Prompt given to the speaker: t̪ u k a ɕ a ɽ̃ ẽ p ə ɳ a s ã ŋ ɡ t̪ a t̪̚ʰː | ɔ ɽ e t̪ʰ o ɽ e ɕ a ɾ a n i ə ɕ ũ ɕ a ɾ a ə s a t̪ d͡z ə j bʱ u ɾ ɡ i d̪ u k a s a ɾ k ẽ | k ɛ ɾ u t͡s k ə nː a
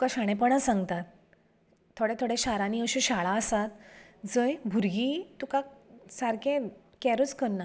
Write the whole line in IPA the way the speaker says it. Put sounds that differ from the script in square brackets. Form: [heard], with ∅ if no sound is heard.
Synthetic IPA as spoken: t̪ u k a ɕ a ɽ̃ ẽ p ə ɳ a s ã ŋ ɡ t̪ a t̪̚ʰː | [o] ɽ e t̪ʰ o ɽ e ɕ a ɾ a n i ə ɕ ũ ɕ a [ɭ] a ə s a t̪ d͡z ə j bʱ u ɾ ɡ i [t̪] u k a s a ɾ k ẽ | k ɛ ɾ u t͡s k ə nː a